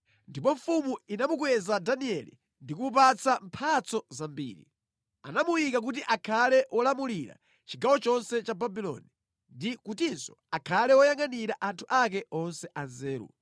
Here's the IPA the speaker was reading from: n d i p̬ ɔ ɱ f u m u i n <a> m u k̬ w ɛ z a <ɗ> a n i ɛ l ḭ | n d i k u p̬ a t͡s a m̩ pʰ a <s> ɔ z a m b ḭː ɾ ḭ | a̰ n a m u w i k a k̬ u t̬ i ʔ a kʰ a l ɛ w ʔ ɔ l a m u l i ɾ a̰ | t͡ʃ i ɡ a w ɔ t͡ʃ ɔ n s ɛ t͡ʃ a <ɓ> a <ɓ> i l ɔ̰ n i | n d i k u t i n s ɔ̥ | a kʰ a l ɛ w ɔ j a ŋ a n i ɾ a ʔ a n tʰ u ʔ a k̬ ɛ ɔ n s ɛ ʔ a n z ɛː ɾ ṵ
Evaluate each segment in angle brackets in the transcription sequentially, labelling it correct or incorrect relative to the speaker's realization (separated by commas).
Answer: correct, incorrect, incorrect, incorrect, incorrect